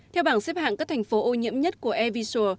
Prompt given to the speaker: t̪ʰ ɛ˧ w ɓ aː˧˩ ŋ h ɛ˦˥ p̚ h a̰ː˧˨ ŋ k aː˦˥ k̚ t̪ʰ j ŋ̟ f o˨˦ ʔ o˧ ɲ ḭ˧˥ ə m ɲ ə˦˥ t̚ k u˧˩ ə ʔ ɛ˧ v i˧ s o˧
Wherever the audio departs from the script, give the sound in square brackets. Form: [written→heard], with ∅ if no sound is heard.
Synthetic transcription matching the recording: t̪ʰ ɛ˧ w ɓ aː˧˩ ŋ [h→s] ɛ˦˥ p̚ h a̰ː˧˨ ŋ k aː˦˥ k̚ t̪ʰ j ŋ̟ f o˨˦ ʔ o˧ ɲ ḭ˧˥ ə m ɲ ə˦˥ t̚ k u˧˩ ə ʔ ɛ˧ v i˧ s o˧

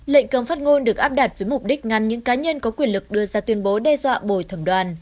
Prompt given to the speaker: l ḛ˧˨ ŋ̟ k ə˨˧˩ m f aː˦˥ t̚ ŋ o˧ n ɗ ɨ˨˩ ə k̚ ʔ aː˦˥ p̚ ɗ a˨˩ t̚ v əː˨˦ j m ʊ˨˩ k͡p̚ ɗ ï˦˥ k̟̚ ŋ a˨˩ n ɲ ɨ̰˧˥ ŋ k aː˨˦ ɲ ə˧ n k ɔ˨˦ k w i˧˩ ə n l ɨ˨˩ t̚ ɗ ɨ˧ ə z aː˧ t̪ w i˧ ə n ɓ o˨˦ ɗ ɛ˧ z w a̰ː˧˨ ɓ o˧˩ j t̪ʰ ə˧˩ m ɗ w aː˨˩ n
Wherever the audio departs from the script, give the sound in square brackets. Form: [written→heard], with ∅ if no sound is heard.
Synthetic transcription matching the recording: l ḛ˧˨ ŋ̟ k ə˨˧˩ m f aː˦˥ t̚ ŋ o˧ n ɗ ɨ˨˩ ə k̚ ʔ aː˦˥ p̚ ɗ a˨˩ t̚ v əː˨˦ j m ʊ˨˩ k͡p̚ ɗ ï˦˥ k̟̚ ŋ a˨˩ n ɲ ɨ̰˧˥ ŋ k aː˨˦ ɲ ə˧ n k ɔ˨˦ k w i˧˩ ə n l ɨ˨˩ [t̚→k̚] ɗ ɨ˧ ə z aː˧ t̪ w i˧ ə n ɓ o˨˦ ɗ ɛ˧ z w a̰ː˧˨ ɓ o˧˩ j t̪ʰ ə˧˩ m ɗ w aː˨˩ n

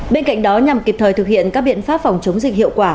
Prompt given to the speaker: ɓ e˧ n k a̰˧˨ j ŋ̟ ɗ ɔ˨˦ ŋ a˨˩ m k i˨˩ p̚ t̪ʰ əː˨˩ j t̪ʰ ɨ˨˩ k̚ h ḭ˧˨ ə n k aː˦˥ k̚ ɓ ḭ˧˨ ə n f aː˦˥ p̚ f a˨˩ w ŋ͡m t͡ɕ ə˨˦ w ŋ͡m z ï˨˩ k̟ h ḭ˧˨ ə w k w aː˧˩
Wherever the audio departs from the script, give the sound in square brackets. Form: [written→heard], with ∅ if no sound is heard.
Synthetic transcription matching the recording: ɓ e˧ n k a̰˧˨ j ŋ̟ ɗ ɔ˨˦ [ŋ→ɲ] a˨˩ m k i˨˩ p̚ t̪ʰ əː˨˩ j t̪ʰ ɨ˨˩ k̚ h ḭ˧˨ ə n k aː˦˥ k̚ ɓ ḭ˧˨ ə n f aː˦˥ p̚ f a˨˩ w ŋ͡m t͡ɕ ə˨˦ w ŋ͡m z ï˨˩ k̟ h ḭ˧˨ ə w k w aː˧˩

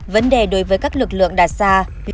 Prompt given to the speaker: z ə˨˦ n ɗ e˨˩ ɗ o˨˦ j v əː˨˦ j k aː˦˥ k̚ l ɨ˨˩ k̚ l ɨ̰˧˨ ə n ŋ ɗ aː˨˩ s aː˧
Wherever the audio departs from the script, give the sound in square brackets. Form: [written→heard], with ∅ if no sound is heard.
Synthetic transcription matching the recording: [z→v] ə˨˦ n ɗ e˨˩ ɗ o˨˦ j v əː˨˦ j k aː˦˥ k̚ l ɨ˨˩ k̚ l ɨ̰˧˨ ə [n→∅] ŋ ɗ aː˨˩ s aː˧

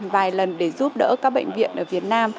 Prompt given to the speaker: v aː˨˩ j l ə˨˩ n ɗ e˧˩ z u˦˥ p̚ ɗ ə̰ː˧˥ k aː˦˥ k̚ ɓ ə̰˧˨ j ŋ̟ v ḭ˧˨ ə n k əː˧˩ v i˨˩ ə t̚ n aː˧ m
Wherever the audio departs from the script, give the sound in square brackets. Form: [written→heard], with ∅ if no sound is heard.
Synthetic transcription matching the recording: v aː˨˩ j l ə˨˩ n ɗ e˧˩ z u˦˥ p̚ ɗ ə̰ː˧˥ k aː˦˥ k̚ ɓ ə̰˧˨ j ŋ̟ v ḭ˧˨ ə n [k→ʔ] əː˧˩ v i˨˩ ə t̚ n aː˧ m

